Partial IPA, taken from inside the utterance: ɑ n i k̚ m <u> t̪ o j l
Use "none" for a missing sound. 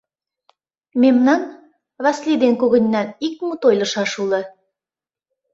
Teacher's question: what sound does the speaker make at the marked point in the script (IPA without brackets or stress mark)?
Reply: u